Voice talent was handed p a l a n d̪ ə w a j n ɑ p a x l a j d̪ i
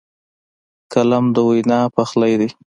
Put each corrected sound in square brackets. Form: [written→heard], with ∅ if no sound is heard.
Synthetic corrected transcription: [p→k] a l a [n→m] d̪ ə w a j n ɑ p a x l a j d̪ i